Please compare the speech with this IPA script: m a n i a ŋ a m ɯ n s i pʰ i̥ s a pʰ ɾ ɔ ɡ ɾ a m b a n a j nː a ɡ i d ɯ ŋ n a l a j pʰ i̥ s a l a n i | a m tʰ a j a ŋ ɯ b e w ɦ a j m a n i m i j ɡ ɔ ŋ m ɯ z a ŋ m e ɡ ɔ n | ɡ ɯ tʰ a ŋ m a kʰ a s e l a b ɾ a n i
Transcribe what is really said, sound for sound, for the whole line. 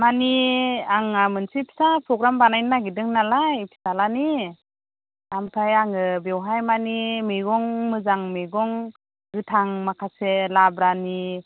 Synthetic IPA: m a n i a ŋ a m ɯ n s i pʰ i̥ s a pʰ ɾ ɔ ɡ ɾ a m b a n a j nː a ɡ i d ɯ ŋ n a l a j pʰ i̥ s a l a n i | a m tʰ a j a ŋ ɯ b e w ɦ a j m a n i m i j ɡ ɔ ŋ m ɯ z a ŋ m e ɡ ɔ ŋ | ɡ ɯ tʰ a ŋ m a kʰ a s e l a b ɾ a n i